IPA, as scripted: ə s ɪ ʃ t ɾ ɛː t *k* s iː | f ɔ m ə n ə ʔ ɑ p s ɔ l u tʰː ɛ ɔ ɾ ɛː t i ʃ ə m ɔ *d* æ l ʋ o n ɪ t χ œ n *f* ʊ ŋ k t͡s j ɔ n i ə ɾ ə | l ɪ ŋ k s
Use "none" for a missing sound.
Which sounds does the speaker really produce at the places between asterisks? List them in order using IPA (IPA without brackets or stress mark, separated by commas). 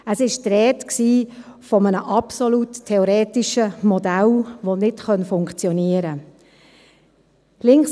k, d, f